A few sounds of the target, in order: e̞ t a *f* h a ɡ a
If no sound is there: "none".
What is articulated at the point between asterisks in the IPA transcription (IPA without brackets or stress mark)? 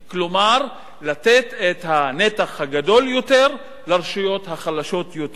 χ